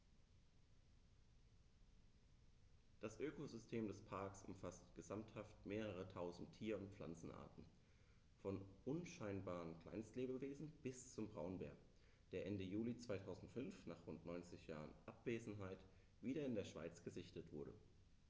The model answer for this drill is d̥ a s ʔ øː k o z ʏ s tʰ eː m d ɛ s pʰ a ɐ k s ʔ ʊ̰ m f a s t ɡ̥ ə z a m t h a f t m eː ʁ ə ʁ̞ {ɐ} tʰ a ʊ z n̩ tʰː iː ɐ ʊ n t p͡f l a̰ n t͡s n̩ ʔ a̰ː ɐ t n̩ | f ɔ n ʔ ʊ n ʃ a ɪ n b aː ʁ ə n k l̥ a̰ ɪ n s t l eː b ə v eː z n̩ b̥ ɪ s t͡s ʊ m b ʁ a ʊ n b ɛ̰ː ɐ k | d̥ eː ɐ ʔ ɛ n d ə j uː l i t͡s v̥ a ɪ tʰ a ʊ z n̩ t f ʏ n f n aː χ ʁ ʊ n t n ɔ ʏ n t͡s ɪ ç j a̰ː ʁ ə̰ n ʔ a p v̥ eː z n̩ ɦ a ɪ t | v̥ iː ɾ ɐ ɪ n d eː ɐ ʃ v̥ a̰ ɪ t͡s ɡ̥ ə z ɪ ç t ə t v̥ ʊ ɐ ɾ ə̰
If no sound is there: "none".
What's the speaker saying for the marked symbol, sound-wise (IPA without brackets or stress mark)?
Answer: ə